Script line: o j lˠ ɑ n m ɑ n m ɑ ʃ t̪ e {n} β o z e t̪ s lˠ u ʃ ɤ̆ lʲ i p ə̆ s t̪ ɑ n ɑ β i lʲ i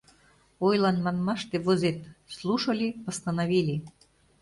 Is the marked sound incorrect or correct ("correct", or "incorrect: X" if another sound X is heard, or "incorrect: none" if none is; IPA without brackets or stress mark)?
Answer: incorrect: none